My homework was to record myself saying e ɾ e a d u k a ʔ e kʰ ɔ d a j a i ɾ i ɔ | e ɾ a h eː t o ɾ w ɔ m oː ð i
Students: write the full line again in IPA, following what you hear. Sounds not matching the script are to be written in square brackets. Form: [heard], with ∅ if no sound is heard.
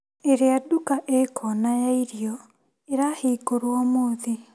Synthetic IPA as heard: e ɾ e a d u k a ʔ e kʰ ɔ [n] a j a i ɾ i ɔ | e ɾ a h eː [k] o ɾ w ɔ m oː ð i